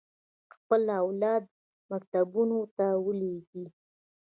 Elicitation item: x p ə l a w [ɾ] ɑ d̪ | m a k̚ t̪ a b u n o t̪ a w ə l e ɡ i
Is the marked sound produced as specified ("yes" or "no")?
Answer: no